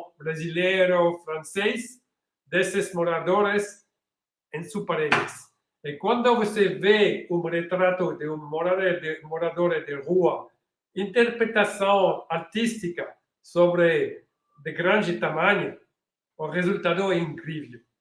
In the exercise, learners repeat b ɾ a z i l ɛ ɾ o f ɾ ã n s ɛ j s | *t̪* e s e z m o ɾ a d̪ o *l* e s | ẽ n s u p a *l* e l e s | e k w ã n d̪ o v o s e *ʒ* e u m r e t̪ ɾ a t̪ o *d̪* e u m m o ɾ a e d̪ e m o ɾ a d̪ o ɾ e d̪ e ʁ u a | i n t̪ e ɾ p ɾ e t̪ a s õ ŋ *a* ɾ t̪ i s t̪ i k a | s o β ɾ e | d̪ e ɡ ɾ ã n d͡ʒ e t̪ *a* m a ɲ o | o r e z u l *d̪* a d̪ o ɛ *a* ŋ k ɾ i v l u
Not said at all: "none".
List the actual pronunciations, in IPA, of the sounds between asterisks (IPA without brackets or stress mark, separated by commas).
d̪, ɾ, ɾ, v, d̪, a, a, t̪, i